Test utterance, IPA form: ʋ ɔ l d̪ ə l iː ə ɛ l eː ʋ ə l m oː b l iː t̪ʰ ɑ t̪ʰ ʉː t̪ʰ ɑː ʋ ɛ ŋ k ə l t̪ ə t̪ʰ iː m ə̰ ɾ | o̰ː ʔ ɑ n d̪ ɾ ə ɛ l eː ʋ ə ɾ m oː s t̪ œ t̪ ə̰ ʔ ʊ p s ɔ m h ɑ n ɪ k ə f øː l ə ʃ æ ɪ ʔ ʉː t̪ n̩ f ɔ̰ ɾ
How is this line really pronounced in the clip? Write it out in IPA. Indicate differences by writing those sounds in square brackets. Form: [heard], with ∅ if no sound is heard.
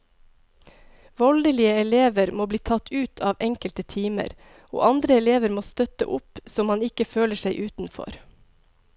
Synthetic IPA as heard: ʋ ɔ l d̪ ə l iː ə ɛ l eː ʋ ə [ɾ] m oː b l iː t̪ʰ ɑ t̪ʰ ʉː t̪ʰ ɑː ʋ ɛ ŋ k ə l t̪ ə t̪ʰ iː m ə̰ ɾ | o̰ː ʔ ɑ n d̪ ɾ ə ɛ l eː ʋ ə ɾ m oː s t̪ œ t̪ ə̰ ʔ ʊ p s ɔ m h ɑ n ɪ k ə f øː l ə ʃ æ ɪ ʔ ʉː t̪ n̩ f ɔ̰ ɾ

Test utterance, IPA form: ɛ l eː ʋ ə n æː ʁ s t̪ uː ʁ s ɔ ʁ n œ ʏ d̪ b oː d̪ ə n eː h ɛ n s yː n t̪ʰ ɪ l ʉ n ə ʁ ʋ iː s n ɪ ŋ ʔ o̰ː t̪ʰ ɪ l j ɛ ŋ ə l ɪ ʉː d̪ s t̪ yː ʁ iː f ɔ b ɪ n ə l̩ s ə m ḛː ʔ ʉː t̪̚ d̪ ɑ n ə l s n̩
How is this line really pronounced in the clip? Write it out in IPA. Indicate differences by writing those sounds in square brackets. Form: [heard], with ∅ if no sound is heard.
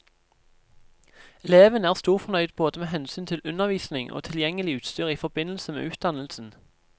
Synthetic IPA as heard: ɛ l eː ʋ ə n æː ʁ s t̪ uː ʁ [f] ɔ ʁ n œ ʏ d̪ b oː d̪ ə [m] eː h ɛ n s yː n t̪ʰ ɪ l ʉ n ə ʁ ʋ iː s n ɪ ŋ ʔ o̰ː t̪ʰ ɪ l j ɛ ŋ ə l ɪ ʉː [t̪] s t̪ yː ʁ iː f ɔ b ɪ n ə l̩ s ə m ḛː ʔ ʉː t̪̚ d̪ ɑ n ə l s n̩

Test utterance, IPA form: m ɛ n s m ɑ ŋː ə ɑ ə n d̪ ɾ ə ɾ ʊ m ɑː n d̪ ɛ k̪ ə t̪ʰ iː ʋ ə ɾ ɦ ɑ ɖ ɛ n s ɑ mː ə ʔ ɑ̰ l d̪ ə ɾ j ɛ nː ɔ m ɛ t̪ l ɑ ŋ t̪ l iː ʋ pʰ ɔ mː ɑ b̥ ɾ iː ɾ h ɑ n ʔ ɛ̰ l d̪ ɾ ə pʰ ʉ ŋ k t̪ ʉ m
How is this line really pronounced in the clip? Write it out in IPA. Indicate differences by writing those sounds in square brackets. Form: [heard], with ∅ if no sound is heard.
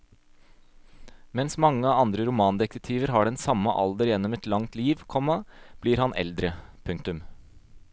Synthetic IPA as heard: m ɛ n s m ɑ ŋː ə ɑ [ɑ] n d̪ ɾ ə ɾ ʊ m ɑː n d̪ ɛ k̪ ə t̪ʰ iː ʋ ə ɾ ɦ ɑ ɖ ɛ n s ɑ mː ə ʔ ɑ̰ l d̪ ə ɾ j ɛ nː ɔ m ɛ t̪ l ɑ ŋ t̪ l iː ʋ [kʰ] ɔ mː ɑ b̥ [l] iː ɾ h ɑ n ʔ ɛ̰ l d̪ ɾ ə pʰ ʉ ŋ k t̪ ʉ m

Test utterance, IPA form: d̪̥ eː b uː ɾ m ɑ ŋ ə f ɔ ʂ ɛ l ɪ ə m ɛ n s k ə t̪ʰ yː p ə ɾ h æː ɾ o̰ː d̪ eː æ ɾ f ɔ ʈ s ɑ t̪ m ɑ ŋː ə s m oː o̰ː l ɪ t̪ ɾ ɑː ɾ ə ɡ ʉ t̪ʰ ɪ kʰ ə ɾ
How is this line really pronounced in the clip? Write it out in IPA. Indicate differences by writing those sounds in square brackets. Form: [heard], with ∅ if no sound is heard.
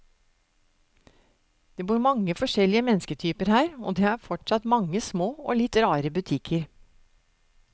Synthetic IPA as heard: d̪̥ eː b uː ɾ m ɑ ŋ ə f ɔ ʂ ɛ l ɪ ə m ɛ n s k ə t̪ʰ yː p ə ɾ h æː ɾ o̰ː d̪ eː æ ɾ f ɔ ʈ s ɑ t̪ m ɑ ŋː ə s m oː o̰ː l ɪ t̪ ɾ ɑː ɾ ə [b] ʉ t̪ʰ ɪ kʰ ə ɾ

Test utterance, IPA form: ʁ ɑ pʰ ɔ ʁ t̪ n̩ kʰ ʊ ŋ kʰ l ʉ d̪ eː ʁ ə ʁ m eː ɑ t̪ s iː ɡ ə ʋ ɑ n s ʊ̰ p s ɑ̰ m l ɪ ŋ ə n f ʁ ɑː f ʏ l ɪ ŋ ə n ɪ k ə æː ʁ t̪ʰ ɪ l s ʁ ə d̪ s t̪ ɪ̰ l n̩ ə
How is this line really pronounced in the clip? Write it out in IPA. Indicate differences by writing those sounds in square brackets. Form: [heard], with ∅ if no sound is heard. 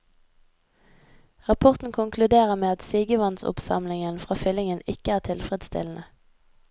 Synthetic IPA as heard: ʁ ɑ pʰ ɔ ʁ t̪ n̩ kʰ ʊ ŋ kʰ l ʉ d̪ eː ʁ ə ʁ m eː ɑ t̪ s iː ɡ ə ʋ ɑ n s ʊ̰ p s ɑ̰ m l ɪ ŋ ə n f ʁ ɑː f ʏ l ɪ ŋ ə n ɪ k ə æː ʁ t̪ʰ ɪ l [f] ʁ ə d̪ s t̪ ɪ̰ l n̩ ə

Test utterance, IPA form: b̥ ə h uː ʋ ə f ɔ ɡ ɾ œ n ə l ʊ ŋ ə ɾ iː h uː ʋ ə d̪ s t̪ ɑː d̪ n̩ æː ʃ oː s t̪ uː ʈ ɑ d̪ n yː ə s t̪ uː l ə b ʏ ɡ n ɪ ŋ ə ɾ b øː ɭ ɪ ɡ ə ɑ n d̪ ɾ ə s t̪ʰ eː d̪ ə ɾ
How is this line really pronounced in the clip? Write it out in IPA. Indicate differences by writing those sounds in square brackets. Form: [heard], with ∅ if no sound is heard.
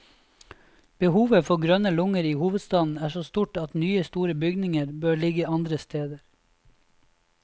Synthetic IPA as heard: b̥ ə h uː ʋ ə f ɔ ɡ ɾ œ n ə l ʊ ŋ ə ɾ iː h uː ʋ ə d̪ s t̪ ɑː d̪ n̩ æː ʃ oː s t̪ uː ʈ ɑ [t̪] n yː ə s t̪ uː [ɾ] ə b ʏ ɡ n ɪ ŋ ə ɾ b øː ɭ ɪ ɡ ə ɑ n d̪ ɾ ə s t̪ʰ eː d̪ ə ɾ

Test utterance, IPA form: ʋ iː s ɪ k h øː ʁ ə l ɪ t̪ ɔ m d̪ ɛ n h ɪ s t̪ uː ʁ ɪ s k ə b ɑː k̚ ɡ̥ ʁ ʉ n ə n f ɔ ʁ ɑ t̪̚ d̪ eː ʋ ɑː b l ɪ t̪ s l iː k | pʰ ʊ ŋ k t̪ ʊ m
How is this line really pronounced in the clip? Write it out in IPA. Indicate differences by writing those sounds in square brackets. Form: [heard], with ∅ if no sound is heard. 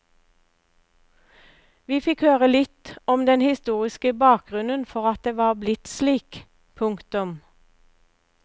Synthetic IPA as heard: ʋ iː [f] ɪ k h øː ʁ ə l ɪ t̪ ɔ m d̪ ɛ n h ɪ s t̪ uː ʁ ɪ s k ə b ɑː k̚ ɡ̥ ʁ ʉ n ə n f ɔ ʁ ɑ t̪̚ d̪ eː ʋ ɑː b l ɪ t̪ s l iː k | pʰ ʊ ŋ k t̪ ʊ m

